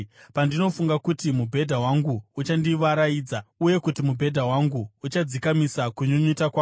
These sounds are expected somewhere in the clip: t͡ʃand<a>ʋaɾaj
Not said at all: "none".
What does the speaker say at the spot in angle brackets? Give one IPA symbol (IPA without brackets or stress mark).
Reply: i